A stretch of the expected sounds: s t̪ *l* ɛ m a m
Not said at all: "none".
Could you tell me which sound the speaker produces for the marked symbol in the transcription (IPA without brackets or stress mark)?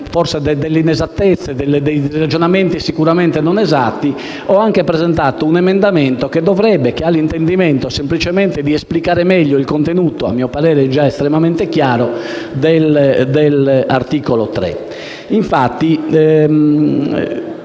ɾ